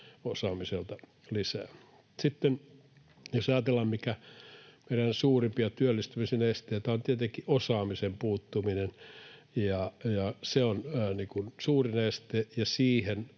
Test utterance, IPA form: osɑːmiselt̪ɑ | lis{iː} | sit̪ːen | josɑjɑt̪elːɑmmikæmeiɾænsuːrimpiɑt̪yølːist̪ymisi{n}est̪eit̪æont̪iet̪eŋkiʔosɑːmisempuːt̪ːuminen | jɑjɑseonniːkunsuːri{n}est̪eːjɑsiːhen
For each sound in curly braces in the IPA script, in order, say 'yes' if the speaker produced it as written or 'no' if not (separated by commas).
no, yes, yes